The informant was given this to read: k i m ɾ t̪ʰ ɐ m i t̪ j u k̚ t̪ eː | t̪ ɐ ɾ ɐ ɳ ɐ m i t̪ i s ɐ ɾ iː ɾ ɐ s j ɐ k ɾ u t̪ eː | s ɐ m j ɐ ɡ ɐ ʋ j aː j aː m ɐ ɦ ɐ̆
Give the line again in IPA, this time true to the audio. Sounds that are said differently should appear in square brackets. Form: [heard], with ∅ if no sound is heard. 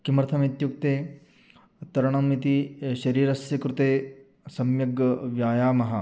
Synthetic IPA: k i m ɾ t̪ʰ ɐ m i t̪ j u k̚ t̪ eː | t̪ ɐ ɾ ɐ ɳ ɐ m i t̪ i [ʃ] ɐ ɾ iː ɾ ɐ s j ɐ k ɾ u t̪ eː | s ɐ m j ɐ ɡ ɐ ʋ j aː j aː m ɐ ɦ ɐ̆